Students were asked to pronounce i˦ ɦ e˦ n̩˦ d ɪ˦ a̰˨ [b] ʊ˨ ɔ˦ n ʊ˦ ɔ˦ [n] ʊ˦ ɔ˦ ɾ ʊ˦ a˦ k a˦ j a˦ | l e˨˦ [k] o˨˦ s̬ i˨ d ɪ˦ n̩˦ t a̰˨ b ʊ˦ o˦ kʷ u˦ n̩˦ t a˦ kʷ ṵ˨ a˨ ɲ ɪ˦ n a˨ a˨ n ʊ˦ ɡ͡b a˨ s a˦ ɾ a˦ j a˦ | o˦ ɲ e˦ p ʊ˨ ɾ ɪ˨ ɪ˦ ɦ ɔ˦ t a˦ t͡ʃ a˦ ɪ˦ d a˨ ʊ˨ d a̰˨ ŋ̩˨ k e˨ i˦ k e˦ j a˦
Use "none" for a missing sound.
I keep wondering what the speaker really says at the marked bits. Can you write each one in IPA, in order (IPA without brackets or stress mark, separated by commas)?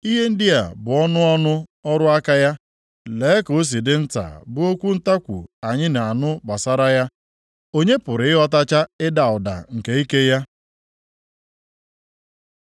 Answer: b, n, k